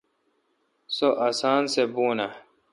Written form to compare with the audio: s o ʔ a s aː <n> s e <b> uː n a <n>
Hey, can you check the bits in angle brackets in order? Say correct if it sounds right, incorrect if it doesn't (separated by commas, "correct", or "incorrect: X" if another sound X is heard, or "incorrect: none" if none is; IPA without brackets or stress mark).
correct, correct, incorrect: none